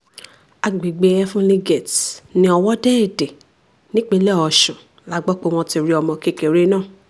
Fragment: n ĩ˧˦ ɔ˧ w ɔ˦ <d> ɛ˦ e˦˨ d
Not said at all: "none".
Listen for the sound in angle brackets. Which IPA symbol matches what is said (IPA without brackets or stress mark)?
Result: d